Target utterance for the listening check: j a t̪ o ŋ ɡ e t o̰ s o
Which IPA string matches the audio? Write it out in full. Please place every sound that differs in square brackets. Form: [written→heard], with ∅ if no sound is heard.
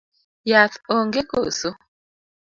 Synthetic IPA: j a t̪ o ŋ ɡ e [t→k] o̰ s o